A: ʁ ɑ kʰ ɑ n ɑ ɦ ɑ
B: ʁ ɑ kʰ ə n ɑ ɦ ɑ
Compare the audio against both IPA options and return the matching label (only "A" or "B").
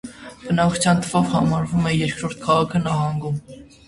B